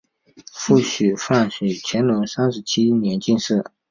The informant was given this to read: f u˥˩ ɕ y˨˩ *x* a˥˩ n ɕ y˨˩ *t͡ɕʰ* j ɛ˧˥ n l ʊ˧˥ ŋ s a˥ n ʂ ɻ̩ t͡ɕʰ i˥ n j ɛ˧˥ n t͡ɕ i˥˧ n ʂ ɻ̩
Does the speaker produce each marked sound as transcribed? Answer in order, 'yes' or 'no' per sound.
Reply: no, yes

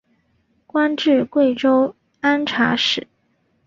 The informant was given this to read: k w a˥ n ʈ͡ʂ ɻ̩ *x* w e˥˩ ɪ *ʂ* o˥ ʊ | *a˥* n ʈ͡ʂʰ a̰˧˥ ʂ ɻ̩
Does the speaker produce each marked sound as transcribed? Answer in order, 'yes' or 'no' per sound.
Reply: no, no, yes

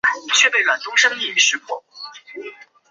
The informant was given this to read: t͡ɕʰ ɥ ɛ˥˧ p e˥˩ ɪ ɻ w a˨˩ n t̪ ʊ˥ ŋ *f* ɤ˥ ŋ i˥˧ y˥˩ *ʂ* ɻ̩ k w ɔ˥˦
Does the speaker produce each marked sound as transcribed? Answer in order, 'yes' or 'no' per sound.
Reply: no, yes

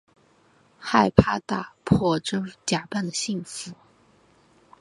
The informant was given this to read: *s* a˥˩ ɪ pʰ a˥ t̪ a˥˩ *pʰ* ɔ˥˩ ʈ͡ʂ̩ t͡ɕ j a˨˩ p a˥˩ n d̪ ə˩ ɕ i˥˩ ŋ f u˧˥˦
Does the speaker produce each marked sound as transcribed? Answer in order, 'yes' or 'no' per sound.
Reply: no, yes

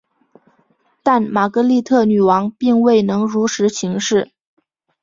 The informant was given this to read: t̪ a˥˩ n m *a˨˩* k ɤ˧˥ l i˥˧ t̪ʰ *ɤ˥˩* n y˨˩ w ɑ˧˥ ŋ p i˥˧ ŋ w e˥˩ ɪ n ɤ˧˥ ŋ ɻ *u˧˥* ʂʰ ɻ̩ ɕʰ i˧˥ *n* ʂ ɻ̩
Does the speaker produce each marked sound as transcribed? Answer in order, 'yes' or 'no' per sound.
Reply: yes, yes, yes, no

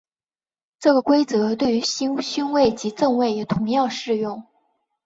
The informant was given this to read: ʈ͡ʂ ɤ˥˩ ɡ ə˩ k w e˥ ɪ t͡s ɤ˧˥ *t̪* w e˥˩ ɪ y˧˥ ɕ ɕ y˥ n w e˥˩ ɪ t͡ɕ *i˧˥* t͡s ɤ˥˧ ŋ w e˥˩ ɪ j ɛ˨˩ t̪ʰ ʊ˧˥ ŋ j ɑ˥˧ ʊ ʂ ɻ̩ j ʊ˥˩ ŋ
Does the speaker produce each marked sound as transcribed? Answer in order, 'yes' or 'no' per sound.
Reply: yes, yes

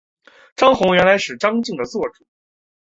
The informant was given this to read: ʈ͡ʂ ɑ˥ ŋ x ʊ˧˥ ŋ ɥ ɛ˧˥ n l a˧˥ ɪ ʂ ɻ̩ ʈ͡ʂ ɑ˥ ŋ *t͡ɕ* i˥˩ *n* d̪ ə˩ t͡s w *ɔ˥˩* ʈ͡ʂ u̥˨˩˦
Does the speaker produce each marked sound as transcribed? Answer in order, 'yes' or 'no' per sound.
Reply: yes, no, yes

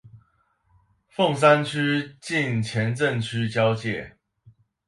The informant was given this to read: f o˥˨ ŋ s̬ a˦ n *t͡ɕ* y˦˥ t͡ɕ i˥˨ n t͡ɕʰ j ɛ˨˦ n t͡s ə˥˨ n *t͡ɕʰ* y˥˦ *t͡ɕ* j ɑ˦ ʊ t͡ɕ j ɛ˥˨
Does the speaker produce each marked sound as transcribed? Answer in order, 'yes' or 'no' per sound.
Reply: no, yes, yes

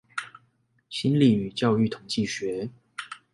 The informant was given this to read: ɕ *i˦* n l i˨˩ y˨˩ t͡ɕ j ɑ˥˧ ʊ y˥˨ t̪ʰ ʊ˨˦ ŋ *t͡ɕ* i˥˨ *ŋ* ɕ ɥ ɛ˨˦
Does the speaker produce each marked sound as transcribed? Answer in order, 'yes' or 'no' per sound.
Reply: yes, yes, no

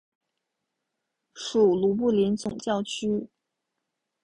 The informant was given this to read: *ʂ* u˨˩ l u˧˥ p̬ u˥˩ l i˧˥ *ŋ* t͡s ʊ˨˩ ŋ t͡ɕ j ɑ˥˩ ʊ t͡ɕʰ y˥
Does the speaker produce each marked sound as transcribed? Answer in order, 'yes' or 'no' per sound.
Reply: yes, no

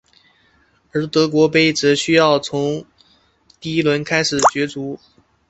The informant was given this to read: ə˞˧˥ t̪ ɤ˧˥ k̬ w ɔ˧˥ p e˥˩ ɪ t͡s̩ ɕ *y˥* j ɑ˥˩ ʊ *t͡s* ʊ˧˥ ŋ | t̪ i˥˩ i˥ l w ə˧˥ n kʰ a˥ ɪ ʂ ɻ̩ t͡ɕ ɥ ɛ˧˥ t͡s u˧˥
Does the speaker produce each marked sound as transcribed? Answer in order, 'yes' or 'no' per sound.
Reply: yes, no

